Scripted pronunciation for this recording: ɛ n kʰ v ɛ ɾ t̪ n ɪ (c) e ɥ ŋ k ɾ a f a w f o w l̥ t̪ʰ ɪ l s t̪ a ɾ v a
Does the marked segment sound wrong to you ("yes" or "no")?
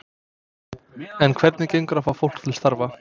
no